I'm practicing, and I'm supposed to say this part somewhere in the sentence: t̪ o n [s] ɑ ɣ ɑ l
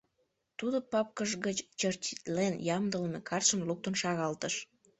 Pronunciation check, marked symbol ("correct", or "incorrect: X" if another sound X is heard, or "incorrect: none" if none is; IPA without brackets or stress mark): incorrect: ʃ